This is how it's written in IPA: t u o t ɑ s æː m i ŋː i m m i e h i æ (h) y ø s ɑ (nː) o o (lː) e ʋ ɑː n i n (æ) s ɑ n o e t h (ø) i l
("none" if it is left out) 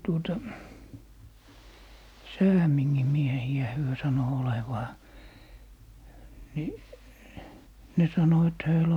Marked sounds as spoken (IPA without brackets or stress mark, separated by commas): h, n, l, e, ø